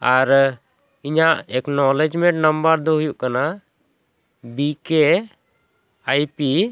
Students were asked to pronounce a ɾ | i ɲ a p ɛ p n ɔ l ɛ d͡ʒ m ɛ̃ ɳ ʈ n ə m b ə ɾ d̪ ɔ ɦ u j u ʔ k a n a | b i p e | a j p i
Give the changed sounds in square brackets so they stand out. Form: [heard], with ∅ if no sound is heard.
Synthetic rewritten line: a ɾ | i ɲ a [ʔ] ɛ [k] n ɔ l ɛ d͡ʒ m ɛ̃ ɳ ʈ n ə m b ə ɾ d̪ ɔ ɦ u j u ʔ k a n a | b i [k] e | a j p i